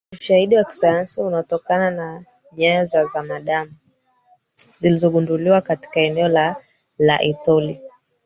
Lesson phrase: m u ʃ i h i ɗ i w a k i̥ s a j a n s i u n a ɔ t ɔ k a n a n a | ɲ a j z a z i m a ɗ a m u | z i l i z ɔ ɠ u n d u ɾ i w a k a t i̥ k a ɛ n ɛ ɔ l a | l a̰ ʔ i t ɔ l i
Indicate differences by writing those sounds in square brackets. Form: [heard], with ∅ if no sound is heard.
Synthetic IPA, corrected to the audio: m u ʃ [a] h i ɗ i w a k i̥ s a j a n s i u n a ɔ t ɔ k a n a n a | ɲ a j z a z [a] m a ɗ a m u | z i l i z ɔ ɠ u n d u [l] i w a k a t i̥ k a ɛ n ɛ ɔ l a | l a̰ ʔ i t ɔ l i